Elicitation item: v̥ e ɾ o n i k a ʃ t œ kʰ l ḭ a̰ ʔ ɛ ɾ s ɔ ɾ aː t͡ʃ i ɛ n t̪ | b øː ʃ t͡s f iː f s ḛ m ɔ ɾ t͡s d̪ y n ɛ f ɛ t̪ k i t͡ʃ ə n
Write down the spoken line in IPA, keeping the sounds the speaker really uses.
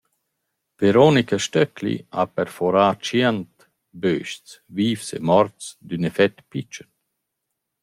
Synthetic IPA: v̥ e ɾ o n i k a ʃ t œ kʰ l ḭ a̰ p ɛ ɾ f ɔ ɾ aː t͡ʃ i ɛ n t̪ | b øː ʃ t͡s v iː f s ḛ m ɔ ɾ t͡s d̪ y n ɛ f ɛ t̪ p i t͡ʃ ə n